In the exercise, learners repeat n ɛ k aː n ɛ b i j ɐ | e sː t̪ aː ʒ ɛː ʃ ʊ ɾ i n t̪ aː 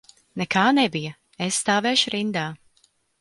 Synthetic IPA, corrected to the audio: n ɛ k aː n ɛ b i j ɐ | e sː t̪ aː v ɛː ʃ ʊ ɾ i n d̪ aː